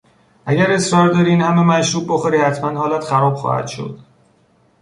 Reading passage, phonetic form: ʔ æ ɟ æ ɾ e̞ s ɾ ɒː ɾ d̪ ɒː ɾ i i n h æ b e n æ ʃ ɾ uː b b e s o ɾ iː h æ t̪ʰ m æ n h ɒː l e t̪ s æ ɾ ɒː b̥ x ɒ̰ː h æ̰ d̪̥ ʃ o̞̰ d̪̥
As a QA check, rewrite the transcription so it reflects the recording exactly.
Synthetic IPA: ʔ æ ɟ æ ɾ e̞ s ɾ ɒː ɾ d̪ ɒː ɾ i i n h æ m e m æ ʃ ɾ uː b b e x o ɾ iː h æ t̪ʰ m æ n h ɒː l æ t̪ x æ ɾ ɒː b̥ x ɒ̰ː h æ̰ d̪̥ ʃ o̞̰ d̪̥